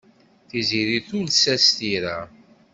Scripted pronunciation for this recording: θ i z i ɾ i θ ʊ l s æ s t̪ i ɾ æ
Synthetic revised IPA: θ i z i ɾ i θ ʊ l s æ s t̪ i ɾ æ

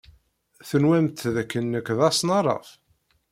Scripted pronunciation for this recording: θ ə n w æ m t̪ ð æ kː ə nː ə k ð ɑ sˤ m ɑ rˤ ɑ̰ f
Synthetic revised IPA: θ ə n w æ m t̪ ð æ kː ə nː ə k ð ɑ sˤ n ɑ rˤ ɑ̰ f

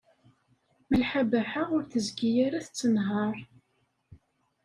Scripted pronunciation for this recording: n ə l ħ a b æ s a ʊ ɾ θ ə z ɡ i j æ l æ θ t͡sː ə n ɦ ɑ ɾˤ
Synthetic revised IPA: m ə l ħ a b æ ħ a ʊ ɾ θ ə z ɡ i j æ ɾ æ θ t͡sː ə n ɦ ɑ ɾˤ

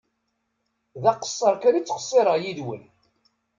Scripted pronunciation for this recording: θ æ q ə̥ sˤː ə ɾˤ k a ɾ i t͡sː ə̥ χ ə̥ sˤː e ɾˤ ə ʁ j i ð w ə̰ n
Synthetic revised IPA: ð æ q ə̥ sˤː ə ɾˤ k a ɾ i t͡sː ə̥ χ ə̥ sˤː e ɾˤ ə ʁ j i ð w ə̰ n

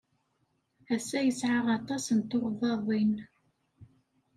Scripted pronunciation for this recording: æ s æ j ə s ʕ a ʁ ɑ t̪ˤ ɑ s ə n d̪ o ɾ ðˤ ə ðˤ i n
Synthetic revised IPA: æ s æ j ə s ʕ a ʁ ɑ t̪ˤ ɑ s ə n t̪ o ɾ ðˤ ɑ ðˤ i n

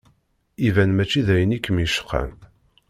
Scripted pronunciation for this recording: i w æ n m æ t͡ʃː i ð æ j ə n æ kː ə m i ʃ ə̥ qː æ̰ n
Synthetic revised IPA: i v æ n m æ t͡ʃː i ð æ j ə n i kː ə m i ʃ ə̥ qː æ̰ n

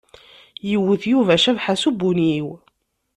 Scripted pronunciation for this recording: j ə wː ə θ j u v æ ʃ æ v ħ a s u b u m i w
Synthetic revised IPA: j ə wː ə θ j u v æ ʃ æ v ħ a s u b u n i w

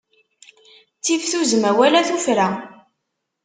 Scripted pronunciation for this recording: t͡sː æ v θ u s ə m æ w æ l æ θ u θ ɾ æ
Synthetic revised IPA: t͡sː i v θ u z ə m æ w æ l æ θ u f ɾ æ

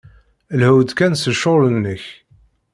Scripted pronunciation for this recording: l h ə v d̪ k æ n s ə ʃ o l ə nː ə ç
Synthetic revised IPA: l h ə w d̪ k æ n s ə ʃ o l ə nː ə ç

